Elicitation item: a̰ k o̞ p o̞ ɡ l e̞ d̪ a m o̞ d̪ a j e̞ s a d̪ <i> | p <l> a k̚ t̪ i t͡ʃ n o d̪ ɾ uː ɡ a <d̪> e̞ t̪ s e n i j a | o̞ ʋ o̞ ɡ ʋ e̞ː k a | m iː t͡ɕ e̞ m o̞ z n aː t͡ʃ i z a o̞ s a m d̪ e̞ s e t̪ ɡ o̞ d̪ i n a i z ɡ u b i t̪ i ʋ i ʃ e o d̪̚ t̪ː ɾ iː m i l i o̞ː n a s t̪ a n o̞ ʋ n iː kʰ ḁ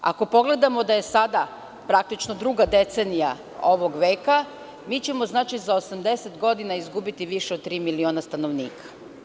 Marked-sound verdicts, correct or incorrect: incorrect: a, incorrect: ɾ, correct

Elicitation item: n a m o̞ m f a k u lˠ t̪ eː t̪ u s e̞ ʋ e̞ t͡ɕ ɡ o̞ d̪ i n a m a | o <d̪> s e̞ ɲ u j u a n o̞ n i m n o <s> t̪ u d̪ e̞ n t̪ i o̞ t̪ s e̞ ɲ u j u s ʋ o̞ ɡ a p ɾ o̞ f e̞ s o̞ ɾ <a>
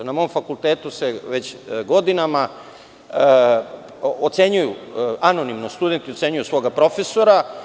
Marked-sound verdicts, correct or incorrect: incorrect: t̪, correct, correct

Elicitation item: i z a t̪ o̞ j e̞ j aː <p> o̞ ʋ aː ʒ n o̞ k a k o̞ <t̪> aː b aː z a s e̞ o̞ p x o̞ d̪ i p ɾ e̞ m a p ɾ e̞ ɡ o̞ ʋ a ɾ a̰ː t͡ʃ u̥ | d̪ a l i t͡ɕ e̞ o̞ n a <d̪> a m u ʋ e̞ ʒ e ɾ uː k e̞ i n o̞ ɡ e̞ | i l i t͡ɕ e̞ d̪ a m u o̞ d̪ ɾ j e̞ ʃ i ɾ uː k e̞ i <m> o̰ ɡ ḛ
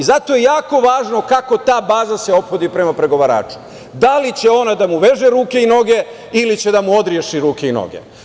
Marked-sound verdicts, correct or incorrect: incorrect: k, correct, correct, incorrect: n

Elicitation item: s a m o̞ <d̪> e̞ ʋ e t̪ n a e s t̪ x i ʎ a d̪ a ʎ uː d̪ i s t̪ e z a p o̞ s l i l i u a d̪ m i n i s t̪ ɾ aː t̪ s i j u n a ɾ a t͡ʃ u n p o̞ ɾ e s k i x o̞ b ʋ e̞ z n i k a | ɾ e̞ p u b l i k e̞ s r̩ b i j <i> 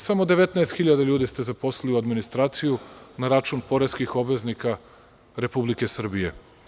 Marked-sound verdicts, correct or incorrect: correct, incorrect: e

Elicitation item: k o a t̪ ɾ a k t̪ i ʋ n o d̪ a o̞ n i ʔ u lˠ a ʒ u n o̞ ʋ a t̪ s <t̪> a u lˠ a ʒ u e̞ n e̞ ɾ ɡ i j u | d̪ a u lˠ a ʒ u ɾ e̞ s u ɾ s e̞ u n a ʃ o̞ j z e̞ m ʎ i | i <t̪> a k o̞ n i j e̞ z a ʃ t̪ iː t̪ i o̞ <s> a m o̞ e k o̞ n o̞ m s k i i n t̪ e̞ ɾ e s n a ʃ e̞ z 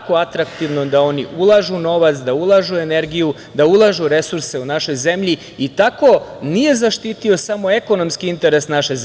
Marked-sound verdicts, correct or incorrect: incorrect: d̪, correct, correct

